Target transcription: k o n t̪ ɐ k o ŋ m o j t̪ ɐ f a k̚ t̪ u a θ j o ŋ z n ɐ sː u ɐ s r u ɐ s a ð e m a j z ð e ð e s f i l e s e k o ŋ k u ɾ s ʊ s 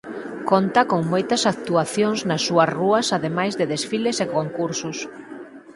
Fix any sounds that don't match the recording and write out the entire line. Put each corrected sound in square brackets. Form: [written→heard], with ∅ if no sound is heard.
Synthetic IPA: k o n t̪ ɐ k o ŋ m o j t̪ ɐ [f→s] a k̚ t̪ u a θ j o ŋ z n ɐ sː u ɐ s r u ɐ s a ð e m a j z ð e ð e s f i l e s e k o ŋ k u ɾ s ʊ s